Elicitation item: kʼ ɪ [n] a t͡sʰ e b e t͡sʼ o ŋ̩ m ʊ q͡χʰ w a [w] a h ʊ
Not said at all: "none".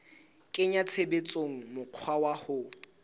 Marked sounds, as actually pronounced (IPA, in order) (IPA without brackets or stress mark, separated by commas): ɲ, w